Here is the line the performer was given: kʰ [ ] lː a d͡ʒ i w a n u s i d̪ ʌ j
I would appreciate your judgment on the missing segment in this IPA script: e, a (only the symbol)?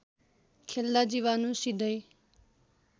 e